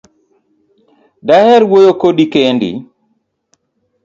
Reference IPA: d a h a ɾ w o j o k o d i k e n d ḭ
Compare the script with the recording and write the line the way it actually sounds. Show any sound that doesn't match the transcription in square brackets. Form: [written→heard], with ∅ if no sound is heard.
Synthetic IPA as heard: d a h [a→ɛ] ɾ w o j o k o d i k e n d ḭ

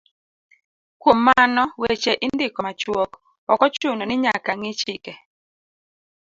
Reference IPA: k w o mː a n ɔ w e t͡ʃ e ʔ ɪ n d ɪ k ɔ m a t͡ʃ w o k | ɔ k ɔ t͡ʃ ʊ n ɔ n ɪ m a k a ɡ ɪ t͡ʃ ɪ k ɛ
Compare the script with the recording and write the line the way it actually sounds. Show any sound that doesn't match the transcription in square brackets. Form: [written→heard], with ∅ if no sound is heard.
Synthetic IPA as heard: k w o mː a n ɔ w e t͡ʃ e ʔ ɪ n d ɪ k ɔ m a t͡ʃ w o k | ɔ k ɔ t͡ʃ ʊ n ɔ n ɪ [m→ɲ] a k a [ɡ→ŋ] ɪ t͡ʃ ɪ k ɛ

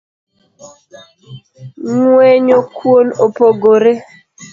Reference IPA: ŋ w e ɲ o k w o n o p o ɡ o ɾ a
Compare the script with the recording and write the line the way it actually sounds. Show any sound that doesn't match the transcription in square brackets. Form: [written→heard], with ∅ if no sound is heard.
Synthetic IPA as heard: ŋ w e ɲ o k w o n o p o ɡ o ɾ [a→e]

